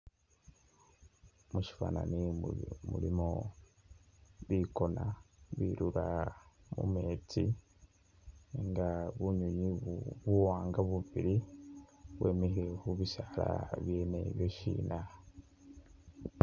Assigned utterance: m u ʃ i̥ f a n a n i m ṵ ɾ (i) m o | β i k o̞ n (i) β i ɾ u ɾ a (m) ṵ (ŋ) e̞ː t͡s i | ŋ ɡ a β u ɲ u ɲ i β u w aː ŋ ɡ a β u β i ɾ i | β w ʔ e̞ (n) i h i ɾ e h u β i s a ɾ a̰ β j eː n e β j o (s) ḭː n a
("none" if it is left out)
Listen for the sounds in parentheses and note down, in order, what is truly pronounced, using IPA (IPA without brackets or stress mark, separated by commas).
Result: i, a, m, m, m, ʃ